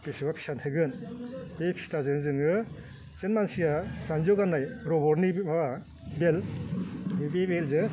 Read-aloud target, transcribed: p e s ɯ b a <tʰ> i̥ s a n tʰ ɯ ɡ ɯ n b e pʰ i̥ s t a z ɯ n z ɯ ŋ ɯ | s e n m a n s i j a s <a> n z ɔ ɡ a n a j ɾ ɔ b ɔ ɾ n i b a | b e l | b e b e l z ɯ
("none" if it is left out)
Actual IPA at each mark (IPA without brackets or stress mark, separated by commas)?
pʰ, a